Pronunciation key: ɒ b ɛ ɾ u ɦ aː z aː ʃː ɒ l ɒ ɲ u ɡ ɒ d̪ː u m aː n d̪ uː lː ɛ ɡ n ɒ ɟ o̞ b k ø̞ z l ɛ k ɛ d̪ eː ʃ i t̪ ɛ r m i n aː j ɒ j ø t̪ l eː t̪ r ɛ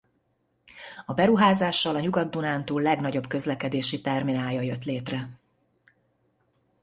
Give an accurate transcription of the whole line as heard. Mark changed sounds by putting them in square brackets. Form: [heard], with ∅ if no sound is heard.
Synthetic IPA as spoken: ɒ b ɛ ɾ u ɦ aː z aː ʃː ɒ l ɒ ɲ u ɡ ɒ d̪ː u [n] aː n [t̪] uː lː ɛ ɡ n ɒ ɟ o̞ b k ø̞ z l ɛ k ɛ d̪ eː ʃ i t̪ ɛ r m i n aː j ɒ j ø t̪ l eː t̪ r ɛ